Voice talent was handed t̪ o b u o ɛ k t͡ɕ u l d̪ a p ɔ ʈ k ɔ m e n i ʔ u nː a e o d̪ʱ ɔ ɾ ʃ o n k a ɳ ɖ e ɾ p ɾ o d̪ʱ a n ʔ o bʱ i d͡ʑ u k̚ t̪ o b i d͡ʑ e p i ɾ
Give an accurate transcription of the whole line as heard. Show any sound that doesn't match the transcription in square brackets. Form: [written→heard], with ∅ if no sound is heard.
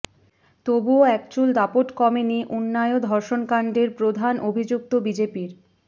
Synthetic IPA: t̪ o b u o ɛ k t͡ɕ u l d̪ a p [ɔ→o] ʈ k ɔ m e n i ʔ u nː a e o d̪ʱ ɔ ɾ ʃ o n k a ɳ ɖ e ɾ p ɾ o d̪ʱ a n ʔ o bʱ i d͡ʑ u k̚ t̪ o b i d͡ʑ e p i ɾ